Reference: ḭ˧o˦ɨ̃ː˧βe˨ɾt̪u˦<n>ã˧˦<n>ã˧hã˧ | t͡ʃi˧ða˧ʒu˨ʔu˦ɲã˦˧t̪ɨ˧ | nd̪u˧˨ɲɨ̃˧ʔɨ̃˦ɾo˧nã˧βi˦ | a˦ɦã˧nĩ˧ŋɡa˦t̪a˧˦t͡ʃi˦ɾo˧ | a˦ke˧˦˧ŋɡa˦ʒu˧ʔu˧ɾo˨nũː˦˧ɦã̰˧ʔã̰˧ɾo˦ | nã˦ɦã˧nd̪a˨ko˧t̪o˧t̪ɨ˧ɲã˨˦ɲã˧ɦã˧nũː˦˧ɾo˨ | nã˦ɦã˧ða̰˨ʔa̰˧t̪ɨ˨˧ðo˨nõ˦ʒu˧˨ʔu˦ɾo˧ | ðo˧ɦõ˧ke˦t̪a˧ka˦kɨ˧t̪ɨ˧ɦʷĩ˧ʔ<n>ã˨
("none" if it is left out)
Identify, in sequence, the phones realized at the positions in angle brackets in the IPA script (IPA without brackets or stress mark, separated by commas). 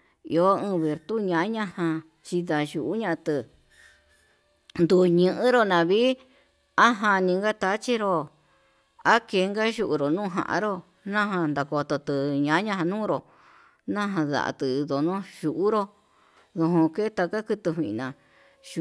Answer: ɲ, ɲ, n